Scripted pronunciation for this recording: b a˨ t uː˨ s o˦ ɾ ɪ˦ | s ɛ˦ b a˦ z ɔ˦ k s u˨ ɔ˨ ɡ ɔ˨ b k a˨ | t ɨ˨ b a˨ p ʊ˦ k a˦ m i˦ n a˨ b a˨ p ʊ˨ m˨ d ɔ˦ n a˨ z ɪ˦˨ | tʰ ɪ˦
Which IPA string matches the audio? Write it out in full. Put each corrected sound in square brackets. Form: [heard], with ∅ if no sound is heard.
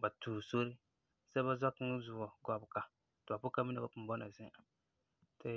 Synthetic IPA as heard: b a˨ t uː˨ s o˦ ɾ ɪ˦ | s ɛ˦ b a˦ z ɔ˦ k [z] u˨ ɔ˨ ɡ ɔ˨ b k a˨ | t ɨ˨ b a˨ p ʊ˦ k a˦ m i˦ n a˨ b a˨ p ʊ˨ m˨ [b] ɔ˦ n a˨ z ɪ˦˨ | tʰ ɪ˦